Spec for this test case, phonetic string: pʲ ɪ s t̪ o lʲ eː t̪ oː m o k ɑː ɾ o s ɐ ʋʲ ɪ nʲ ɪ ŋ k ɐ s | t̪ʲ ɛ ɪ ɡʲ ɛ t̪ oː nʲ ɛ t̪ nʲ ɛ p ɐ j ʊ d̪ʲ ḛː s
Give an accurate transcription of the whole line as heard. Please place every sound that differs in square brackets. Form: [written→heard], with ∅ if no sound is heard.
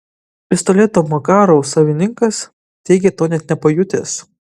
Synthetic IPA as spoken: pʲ ɪ s t̪ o lʲ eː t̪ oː m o k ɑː ɾ o s ɐ ʋʲ ɪ nʲ ɪ ŋ k ɐ s | t̪ʲ ɛ ɪ ɡʲ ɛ t̪ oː nʲ ɛ t̪ nʲ ɛ p ɐ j ʊ [d̪ʲ→t̪ʲ] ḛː s